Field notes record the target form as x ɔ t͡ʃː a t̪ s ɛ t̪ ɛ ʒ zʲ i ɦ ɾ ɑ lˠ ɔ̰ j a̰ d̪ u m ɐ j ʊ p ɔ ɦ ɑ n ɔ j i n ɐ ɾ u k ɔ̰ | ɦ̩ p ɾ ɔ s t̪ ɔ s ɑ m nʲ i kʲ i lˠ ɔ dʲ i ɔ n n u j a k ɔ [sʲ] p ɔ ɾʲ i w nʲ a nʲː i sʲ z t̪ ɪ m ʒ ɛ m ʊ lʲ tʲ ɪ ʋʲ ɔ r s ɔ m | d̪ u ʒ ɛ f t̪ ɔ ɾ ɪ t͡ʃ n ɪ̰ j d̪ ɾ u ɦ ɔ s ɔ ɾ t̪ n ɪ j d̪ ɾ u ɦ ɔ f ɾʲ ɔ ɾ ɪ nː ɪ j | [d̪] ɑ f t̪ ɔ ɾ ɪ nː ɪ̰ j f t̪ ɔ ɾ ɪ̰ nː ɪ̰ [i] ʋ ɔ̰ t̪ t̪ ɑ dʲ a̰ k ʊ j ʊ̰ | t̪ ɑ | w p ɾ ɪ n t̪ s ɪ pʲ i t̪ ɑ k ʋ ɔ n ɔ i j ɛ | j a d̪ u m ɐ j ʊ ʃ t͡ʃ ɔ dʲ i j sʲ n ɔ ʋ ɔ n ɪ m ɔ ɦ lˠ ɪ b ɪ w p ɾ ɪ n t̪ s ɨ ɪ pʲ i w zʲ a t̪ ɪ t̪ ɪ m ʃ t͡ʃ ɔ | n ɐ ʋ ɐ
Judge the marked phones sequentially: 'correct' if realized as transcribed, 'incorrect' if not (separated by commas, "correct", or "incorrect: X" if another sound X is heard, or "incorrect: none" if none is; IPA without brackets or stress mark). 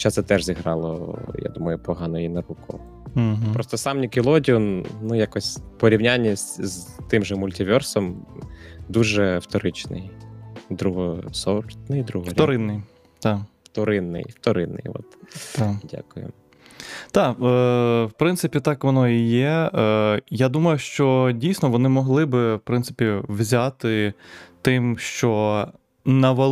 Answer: correct, incorrect: t̪, incorrect: j